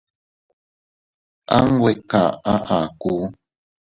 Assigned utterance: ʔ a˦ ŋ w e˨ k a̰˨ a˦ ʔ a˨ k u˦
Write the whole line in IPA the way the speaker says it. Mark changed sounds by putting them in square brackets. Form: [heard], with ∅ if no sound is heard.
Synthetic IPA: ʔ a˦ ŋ w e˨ k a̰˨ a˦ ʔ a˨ k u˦

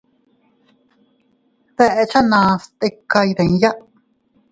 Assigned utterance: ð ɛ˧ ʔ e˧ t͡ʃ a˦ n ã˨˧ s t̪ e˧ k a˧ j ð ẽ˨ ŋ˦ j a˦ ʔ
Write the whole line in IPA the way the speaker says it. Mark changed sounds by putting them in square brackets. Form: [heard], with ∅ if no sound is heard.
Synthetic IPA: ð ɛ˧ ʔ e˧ t͡ʃ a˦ n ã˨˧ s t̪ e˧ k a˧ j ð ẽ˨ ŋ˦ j a˦ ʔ

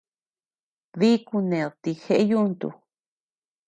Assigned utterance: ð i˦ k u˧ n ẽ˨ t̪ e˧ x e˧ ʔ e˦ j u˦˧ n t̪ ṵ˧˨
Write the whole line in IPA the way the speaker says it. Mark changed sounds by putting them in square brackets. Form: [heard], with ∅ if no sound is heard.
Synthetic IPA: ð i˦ k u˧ n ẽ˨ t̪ [i˧] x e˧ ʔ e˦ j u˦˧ n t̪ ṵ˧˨

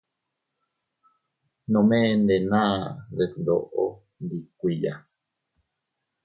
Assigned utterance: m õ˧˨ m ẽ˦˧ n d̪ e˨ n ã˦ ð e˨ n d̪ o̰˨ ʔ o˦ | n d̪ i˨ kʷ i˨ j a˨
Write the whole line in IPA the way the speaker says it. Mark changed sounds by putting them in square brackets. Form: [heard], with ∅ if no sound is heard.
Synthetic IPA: [n] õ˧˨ m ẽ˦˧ n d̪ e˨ n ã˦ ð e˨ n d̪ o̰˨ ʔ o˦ | n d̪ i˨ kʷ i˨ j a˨

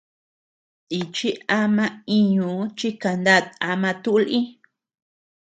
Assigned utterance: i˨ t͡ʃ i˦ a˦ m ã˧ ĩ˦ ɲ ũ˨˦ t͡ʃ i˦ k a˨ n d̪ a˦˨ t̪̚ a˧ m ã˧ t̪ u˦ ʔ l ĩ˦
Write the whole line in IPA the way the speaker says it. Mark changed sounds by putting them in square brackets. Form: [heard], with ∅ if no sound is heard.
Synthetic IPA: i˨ t͡ʃ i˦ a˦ m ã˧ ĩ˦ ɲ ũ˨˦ t͡ʃ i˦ k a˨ n d̪ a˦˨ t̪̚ a˧ m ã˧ t̪ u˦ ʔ l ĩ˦

